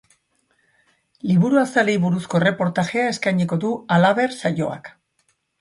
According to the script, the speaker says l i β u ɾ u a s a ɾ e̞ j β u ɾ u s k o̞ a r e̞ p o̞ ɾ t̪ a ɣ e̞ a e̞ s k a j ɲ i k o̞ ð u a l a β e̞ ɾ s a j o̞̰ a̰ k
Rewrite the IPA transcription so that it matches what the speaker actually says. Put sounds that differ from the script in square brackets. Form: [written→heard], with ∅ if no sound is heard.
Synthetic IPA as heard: l i β u ɾ u a s a [ɾ→l] e̞ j β u ɾ u s k o̞ [a→e] r e̞ p o̞ ɾ t̪ a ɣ e̞ a e̞ s k a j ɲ i k o̞ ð u a l a β e̞ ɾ s a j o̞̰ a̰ k